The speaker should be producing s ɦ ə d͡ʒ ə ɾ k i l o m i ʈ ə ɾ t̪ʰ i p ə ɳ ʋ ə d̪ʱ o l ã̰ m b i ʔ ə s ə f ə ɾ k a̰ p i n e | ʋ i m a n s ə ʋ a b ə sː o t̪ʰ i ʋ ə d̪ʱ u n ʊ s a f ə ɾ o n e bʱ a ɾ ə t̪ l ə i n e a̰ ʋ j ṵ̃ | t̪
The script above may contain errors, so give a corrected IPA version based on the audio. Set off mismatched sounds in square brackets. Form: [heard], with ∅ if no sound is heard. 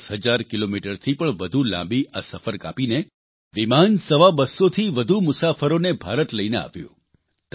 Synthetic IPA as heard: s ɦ ə d͡ʒ [a] ɾ k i l o m i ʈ ə ɾ t̪ʰ i p ə ɳ ʋ ə d̪ʱ [u] l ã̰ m b i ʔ [a] s ə f ə ɾ k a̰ p i n e | ʋ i m a n s ə ʋ a b ə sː o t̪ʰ i ʋ ə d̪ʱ u [m] ʊ s a f ə ɾ o n e bʱ a ɾ ə t̪ l ə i n e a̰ ʋ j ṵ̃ | t̪

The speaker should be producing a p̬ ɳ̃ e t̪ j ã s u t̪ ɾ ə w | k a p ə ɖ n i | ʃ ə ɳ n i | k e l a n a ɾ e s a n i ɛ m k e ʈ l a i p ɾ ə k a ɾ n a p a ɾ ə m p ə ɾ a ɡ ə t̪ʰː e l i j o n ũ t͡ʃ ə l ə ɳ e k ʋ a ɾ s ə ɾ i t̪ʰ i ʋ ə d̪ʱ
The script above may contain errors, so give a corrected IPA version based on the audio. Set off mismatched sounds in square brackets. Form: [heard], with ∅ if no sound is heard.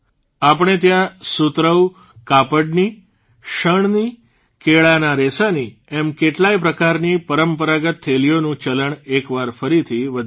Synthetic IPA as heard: a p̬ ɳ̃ e t̪ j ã s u t̪ ɾ ə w | k a p ə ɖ n i | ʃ ə ɳ n i | k e [ɭ] a n a ɾ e s a n i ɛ m k e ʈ l a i p ɾ ə k a ɾ n [i] p [ə] ɾ ə m p ə ɾ a ɡ ə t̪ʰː e l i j o n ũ t͡ʃ ə l ə ɳ e k ʋ a ɾ [f] ə ɾ i t̪ʰ i ʋ ə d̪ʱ

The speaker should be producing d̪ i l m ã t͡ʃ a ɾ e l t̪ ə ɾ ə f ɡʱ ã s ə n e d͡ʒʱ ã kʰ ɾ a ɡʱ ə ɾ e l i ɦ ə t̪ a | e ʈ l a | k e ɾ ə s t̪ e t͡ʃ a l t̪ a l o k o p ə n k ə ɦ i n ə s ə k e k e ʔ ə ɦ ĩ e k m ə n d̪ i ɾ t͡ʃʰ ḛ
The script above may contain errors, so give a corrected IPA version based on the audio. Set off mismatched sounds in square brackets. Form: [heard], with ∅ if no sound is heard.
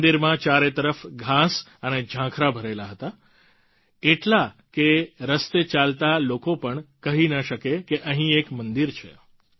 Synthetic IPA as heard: d̪ i [ɾ] m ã t͡ʃ a ɾ e [∅] t̪ ə ɾ ə f ɡʱ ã s ə n e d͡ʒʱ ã kʰ ɾ a [bʱ] ə ɾ e l [a] ɦ ə t̪ a | e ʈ l a | k e ɾ ə s t̪ e t͡ʃ a l t̪ a l o k o p ə [ɳ] k ə ɦ i n ə [ʃ] ə k e k e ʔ ə ɦ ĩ e k m ə n d̪ i ɾ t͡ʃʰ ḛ

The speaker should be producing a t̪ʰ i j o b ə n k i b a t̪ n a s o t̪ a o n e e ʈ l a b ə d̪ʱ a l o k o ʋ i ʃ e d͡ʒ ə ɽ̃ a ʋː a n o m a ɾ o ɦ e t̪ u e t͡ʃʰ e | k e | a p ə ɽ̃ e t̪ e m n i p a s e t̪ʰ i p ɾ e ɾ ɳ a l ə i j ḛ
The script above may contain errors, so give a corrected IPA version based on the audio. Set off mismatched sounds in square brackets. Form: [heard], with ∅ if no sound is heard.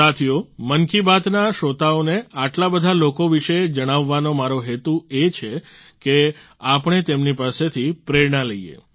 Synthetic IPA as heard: a t̪ʰ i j o [m] ə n k i b a t̪ n a [ʃ] o t̪ a o n e [a] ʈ l a b ə d̪ʱ a l o k o ʋ i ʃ e d͡ʒ ə ɽ̃ a ʋː a n o m a ɾ o ɦ e t̪ u e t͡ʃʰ e | k e | a p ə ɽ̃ e t̪ e m n i p a s e t̪ʰ i p ɾ e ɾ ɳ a l ə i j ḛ

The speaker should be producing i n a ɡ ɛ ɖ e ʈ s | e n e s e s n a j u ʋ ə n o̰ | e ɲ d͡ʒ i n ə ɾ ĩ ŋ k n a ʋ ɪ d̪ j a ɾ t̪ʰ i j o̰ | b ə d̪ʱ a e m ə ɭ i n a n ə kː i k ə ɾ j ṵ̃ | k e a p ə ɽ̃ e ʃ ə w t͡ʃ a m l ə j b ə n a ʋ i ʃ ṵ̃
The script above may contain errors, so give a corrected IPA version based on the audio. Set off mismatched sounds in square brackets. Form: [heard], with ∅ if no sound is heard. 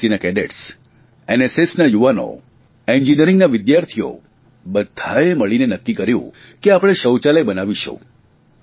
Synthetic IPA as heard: i n a [k] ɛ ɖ e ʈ s | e n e s e s n a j u ʋ [a] n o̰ | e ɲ d͡ʒ i n ə ɾ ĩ ŋ [ɡ] n a ʋ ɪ d̪ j a ɾ t̪ʰ i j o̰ | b ə d̪ʱ a e m ə ɭ i n [e] n ə kː i k ə ɾ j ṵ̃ | k e a p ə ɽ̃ e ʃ ə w t͡ʃ a [∅] l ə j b ə n a ʋ i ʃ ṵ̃

